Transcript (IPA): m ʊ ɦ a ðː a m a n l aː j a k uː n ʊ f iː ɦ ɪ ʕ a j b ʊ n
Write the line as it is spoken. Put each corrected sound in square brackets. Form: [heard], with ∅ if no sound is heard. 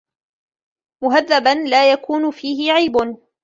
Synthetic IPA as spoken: m ʊ ɦ a ðː a [b] a n l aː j a k uː n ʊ f iː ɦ ɪ ʕ a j b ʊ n